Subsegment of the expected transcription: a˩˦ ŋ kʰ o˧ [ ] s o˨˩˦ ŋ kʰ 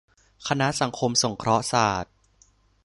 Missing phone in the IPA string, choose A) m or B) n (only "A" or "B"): A